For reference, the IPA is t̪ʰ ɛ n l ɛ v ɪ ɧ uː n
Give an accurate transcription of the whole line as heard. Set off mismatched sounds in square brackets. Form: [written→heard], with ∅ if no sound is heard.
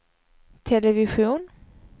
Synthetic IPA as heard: t̪ʰ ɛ [n→∅] l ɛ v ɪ ɧ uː n